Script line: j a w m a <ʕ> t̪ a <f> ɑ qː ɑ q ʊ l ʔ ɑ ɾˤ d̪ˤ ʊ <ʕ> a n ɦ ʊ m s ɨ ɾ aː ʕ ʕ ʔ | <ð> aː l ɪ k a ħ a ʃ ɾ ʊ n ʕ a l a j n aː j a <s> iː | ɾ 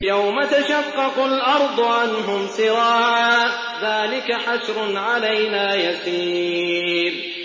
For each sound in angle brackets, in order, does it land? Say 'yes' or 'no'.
no, no, yes, yes, yes

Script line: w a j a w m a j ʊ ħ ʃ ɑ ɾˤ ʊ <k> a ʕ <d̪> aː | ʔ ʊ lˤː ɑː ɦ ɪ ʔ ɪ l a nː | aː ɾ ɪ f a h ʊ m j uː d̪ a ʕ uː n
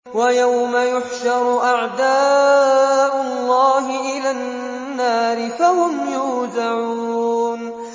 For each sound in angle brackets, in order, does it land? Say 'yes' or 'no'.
no, yes

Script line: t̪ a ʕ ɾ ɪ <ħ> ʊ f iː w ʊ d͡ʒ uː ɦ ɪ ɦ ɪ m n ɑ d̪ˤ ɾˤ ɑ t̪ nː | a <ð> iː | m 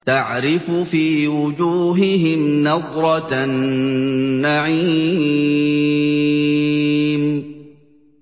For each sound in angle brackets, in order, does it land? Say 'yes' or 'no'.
no, no

